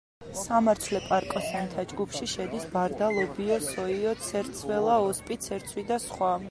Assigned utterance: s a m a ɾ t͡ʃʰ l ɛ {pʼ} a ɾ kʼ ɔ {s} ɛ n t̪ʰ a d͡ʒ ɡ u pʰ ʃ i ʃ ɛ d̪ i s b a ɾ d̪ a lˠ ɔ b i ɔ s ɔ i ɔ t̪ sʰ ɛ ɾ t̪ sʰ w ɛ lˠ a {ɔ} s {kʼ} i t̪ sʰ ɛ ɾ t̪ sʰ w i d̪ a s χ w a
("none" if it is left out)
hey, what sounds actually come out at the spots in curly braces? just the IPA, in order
pʼ, s, ɔ, pʼ

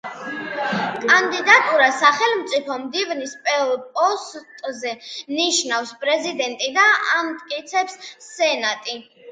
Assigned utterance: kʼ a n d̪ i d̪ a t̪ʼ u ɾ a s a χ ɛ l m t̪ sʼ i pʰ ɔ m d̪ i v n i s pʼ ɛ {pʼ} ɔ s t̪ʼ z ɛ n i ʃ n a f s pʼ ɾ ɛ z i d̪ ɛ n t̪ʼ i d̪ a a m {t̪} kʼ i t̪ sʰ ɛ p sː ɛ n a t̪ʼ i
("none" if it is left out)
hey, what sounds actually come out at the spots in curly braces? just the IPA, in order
pʼ, t̪ʼ

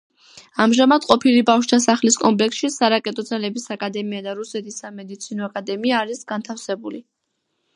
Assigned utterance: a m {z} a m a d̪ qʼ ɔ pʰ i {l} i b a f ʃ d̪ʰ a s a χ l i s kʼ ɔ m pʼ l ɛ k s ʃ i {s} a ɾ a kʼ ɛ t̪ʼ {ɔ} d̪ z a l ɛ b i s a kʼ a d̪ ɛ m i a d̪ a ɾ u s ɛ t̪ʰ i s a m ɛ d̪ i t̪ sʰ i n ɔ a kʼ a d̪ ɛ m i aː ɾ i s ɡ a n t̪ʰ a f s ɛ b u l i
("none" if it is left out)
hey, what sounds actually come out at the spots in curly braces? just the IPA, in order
ʒ, l, s, ɔ

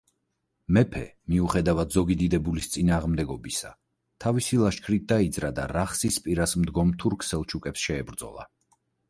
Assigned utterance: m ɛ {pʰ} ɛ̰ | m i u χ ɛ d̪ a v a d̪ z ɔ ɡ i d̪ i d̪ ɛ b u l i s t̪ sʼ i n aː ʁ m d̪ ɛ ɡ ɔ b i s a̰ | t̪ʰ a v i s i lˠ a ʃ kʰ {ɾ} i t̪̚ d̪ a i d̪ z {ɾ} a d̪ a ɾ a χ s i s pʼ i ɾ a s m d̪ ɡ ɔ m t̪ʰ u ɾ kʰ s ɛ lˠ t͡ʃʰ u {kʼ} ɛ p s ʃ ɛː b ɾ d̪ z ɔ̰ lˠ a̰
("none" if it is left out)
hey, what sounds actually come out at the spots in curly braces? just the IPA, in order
pʰ, ɾ, ɾ, kʼ

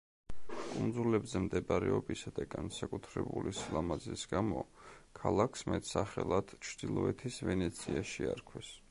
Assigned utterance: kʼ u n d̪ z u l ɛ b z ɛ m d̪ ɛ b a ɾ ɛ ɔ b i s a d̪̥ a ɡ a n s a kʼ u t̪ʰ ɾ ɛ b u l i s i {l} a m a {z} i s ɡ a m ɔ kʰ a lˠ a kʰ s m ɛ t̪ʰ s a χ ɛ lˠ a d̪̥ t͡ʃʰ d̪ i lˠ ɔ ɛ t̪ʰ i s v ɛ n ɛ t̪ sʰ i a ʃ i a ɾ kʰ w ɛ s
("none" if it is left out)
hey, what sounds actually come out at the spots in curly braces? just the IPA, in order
l, z

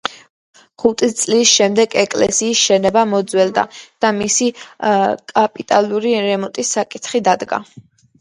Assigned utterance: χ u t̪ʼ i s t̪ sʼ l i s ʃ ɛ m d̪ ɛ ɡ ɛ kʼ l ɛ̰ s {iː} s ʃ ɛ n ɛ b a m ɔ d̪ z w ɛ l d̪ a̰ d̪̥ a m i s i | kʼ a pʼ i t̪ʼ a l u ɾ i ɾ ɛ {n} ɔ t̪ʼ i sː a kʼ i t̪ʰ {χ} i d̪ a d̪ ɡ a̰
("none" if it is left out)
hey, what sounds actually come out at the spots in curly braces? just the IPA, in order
iː, m, χ

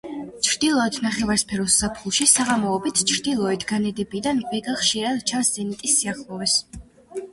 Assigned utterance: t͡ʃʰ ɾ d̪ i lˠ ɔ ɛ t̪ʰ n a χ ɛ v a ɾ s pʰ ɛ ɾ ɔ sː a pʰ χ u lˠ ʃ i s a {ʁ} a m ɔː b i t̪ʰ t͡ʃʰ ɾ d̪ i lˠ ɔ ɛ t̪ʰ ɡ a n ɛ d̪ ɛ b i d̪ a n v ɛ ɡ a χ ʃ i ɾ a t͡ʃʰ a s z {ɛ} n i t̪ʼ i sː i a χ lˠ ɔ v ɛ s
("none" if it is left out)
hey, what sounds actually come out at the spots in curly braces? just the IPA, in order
ʁ, ɛ

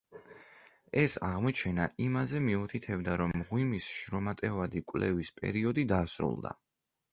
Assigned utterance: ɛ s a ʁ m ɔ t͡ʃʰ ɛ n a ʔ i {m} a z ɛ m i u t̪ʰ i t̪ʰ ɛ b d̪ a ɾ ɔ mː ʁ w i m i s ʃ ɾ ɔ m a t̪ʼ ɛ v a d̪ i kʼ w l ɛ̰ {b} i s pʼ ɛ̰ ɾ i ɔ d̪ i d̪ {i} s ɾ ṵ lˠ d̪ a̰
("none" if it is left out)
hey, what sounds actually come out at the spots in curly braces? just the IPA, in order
m, v, a

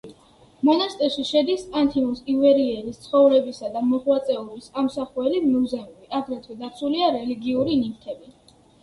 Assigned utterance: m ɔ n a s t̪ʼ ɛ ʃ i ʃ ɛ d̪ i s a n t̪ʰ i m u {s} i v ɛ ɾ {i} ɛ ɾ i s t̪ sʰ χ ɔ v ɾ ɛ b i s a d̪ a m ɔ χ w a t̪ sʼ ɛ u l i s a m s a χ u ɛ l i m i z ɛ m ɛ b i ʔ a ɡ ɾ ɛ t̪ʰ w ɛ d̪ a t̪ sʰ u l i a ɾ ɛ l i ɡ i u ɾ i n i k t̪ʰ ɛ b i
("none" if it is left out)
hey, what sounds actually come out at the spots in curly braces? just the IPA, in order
s, i

